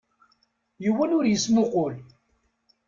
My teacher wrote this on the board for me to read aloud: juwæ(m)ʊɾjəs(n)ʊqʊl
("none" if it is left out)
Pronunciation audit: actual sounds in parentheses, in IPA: n, m

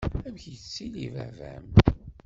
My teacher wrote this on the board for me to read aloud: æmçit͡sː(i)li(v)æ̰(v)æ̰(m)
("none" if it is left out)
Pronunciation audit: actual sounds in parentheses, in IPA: i, v, v, m

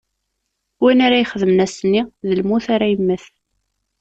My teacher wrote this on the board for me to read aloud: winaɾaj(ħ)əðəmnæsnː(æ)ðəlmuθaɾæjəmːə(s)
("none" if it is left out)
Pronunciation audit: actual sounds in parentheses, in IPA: χ, i, θ

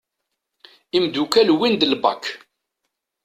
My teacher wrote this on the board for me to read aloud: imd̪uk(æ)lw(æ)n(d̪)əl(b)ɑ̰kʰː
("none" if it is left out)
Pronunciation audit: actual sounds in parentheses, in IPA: æ, i, d̪, b

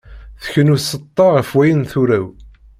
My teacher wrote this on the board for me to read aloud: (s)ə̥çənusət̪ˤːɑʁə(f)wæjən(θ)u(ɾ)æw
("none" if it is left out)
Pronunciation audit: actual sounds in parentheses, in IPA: θ, f, θ, ɾ

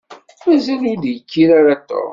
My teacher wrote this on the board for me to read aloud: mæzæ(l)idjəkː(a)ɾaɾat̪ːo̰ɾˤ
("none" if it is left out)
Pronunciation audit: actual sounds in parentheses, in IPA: l, i

